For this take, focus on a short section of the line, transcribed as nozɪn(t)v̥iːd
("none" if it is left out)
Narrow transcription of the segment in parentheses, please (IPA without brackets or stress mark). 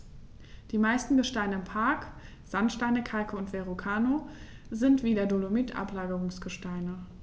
t